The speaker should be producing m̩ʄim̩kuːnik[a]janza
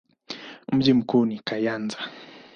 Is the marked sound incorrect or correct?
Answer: correct